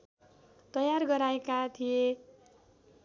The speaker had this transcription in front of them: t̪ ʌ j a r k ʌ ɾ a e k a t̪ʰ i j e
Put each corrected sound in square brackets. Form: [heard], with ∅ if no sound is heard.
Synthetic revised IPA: t̪ ʌ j a r [ɡ] ʌ ɾ a e k a t̪ʰ i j e